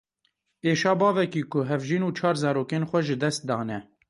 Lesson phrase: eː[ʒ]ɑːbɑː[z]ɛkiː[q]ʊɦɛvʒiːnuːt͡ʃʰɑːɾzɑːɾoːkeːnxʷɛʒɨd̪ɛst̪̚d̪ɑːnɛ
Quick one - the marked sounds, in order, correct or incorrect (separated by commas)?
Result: incorrect, incorrect, incorrect